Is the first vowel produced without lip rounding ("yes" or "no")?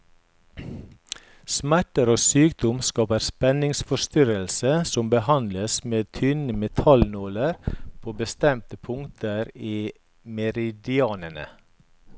yes